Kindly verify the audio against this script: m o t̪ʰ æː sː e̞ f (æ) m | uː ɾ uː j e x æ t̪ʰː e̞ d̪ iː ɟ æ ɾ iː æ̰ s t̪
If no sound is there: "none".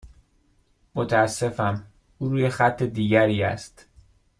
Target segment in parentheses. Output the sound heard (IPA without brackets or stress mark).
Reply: æ